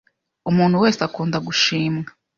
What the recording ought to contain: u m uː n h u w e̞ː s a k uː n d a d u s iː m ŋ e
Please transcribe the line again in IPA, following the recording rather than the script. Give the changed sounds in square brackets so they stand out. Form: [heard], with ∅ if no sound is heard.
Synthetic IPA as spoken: u m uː n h u w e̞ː s a k uː n d a [ɡ] u [ʃ] iː m ŋ [a]